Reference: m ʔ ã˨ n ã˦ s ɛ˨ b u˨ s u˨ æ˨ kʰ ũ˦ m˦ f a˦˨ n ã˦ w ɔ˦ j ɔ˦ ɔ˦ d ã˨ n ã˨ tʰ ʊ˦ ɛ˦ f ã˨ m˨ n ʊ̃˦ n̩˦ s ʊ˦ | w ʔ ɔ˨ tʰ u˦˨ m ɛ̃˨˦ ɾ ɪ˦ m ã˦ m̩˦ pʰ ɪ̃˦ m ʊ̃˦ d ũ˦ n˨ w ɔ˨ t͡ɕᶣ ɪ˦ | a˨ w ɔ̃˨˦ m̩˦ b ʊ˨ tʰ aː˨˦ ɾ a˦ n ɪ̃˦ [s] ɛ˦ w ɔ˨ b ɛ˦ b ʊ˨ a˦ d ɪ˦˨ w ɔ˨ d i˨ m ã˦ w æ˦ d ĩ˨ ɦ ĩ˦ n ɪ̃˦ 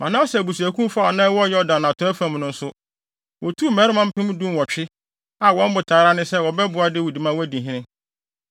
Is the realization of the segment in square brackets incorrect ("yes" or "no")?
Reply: no